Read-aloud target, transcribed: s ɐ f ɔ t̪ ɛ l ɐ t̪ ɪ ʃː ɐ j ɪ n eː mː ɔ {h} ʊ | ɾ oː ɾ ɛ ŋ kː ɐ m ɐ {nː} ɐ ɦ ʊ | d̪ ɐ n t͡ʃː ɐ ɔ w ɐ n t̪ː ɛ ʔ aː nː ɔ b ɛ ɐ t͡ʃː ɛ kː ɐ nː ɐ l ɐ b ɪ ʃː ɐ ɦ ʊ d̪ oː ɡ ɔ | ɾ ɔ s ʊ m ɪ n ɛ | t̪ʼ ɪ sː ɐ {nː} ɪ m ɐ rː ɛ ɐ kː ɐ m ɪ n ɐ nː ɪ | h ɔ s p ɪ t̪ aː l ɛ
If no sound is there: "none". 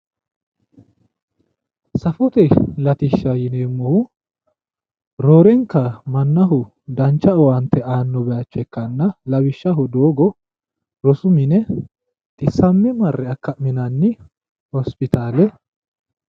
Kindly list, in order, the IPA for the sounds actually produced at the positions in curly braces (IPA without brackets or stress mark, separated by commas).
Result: h, nː, mː